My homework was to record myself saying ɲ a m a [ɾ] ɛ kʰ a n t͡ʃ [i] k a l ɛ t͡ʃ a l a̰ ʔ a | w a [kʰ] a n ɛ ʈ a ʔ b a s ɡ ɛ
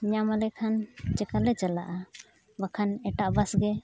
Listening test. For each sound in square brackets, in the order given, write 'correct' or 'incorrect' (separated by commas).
incorrect, incorrect, correct